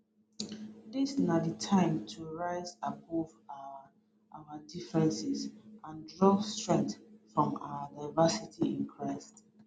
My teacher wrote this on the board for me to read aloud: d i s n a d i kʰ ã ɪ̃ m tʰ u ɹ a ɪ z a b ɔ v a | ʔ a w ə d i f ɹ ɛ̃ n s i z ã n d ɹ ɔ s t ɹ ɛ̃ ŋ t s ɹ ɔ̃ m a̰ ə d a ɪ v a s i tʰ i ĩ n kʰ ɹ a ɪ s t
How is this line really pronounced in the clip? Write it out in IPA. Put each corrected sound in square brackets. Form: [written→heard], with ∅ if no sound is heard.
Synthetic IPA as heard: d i s n a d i [kʰ→tʰ] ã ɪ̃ m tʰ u ɹ a ɪ z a b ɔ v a | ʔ a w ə d i f ɹ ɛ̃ n s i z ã n d ɹ ɔ s t ɹ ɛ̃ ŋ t [s→f] ɹ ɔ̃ m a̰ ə d a ɪ v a s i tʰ i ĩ n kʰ ɹ a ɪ s t